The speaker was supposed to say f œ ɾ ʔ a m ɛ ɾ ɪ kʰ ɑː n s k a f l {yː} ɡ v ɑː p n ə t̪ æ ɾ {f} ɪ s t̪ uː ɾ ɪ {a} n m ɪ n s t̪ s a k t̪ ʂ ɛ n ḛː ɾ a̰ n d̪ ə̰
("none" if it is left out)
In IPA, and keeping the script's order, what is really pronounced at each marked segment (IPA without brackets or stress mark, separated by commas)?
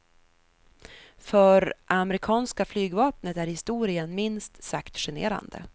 yː, h, ə